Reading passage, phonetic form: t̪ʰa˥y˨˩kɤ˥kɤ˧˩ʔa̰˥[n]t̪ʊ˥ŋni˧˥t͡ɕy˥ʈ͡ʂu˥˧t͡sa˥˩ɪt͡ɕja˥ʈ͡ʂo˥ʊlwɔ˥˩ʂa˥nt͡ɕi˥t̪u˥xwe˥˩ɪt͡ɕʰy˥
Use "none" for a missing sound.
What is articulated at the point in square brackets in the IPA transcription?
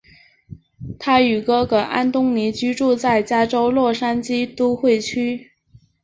n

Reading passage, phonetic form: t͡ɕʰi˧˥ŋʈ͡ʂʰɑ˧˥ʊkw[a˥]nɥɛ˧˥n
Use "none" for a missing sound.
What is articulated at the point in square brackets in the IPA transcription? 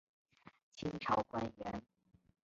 a˥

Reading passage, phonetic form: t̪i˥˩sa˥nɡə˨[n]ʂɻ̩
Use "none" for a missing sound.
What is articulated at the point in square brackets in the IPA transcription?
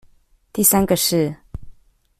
none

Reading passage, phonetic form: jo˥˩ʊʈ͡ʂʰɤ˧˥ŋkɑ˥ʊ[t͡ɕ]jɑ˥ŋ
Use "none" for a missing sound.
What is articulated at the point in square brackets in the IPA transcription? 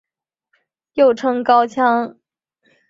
t͡ɕʰ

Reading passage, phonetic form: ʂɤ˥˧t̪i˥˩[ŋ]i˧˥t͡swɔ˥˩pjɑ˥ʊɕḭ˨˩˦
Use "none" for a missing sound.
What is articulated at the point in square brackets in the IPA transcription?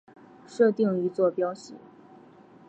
ŋ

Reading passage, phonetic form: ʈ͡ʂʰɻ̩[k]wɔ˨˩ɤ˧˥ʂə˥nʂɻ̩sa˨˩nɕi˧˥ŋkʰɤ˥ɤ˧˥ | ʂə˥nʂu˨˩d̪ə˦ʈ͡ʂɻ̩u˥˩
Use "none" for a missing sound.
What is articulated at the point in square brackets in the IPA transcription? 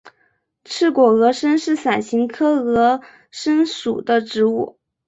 k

